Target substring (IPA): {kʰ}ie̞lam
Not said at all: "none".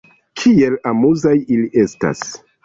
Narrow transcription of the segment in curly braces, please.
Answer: kʰ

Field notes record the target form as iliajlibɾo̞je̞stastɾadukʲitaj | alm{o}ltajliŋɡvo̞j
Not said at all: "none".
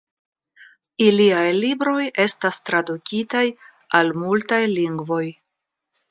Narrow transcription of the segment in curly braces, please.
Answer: u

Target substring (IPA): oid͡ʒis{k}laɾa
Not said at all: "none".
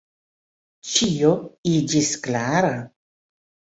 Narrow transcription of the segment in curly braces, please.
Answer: k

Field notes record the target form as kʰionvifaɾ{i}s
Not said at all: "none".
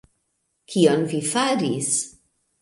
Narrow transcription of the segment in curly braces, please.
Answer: i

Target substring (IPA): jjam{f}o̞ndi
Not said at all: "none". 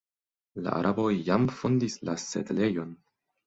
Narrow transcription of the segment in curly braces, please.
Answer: f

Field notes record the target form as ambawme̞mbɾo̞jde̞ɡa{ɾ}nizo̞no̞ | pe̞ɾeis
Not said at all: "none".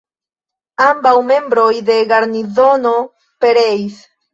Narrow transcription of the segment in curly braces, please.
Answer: ɾ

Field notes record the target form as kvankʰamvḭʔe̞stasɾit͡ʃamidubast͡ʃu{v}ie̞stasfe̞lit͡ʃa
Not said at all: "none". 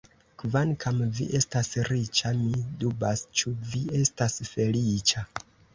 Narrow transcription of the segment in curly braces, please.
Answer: v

